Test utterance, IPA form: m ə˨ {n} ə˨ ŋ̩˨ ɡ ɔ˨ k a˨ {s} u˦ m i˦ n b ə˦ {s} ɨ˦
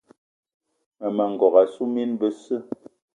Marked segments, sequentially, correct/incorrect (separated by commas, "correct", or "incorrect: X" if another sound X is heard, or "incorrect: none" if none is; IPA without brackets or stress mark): incorrect: m, correct, correct